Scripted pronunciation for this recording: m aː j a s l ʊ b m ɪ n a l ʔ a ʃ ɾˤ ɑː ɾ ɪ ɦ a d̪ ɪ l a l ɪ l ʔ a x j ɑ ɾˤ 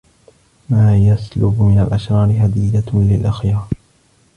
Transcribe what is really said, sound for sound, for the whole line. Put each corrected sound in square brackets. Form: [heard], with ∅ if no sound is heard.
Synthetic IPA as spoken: m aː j a s l ʊ b m ɪ n a l ʔ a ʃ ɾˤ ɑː ɾ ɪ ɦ a d̪ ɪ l a l ɪ l ʔ a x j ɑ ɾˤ